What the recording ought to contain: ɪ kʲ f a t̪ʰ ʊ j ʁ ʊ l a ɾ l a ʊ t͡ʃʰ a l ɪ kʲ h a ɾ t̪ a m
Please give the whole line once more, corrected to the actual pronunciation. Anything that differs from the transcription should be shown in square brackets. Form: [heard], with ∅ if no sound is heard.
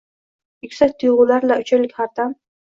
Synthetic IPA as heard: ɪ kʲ [s] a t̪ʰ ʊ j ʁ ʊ l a ɾ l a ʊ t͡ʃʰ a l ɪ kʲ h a ɾ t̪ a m